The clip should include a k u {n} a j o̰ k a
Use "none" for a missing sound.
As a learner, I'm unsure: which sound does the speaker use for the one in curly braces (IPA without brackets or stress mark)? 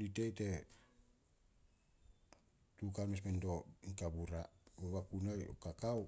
n